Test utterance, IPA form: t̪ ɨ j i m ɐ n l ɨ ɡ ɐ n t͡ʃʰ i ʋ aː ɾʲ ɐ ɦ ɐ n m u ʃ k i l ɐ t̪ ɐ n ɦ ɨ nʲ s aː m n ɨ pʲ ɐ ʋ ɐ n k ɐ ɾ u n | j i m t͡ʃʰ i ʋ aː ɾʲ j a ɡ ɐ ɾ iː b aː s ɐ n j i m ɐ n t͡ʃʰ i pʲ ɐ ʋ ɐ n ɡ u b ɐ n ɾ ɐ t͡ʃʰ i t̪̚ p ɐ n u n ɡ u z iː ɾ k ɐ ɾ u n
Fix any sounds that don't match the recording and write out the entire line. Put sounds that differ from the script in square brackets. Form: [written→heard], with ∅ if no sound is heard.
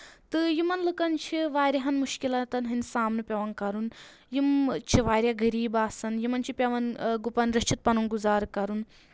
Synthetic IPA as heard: t̪ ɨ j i m ɐ n l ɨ [ɡ→k] ɐ n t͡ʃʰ i ʋ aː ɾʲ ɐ ɦ ɐ n m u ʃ k i l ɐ t̪ ɐ n ɦ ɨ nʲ s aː m n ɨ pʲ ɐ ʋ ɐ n k ɐ ɾ u n | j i m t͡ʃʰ i ʋ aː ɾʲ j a ɡ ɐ ɾ iː b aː s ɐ n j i m ɐ n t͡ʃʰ i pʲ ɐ ʋ ɐ n ɡ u [b→p] ɐ n ɾ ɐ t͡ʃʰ i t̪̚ p ɐ n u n ɡ u z [iː→aː] ɾ k ɐ ɾ u n

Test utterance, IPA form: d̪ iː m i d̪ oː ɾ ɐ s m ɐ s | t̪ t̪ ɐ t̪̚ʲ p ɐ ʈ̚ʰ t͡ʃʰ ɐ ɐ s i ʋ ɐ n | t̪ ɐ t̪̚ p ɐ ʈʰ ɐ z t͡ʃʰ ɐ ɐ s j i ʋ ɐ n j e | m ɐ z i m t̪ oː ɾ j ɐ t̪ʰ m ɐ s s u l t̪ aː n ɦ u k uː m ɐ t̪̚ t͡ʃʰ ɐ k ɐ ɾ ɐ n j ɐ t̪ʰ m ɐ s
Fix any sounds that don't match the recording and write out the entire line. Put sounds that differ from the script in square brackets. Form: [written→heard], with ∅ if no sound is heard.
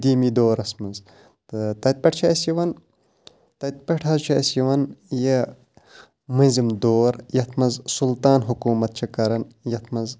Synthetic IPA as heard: d̪ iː m i d̪ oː ɾ ɐ s m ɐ [s→z] | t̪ t̪ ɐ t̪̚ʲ p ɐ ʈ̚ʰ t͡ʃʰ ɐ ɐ s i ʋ ɐ n | t̪ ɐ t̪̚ p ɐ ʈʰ ɐ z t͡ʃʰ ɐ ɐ s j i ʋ ɐ n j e | m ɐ z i m [t̪→d̪] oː ɾ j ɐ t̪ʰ m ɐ [s→z] s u l t̪ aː n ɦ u k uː m ɐ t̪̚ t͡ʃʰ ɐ k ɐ ɾ ɐ n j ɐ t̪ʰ m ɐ [s→z]

